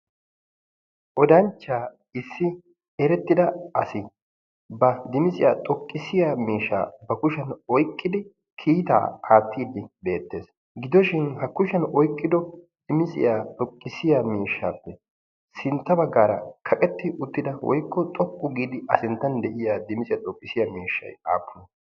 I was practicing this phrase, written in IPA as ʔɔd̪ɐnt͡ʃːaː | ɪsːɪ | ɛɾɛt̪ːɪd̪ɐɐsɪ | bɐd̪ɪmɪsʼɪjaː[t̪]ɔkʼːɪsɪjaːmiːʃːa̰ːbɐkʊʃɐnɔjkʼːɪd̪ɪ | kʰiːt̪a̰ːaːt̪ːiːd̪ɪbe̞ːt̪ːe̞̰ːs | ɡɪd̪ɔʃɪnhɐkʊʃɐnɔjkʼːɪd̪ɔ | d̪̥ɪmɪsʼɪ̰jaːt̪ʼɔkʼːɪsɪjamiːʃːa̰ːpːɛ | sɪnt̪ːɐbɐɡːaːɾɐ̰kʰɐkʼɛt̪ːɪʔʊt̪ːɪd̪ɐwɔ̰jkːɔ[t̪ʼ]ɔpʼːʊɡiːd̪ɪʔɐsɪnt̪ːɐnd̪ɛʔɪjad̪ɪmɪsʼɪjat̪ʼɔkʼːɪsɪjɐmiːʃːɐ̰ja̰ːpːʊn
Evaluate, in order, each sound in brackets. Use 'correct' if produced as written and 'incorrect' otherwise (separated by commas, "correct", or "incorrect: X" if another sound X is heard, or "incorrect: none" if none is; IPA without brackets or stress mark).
incorrect: t̪ʼ, correct